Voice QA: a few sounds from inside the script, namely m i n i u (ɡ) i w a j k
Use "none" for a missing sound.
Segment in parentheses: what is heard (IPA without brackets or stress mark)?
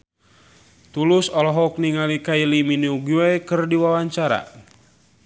ɡ